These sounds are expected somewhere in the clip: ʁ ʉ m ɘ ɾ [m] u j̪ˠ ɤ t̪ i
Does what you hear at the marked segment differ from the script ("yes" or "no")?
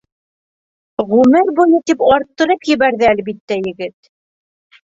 yes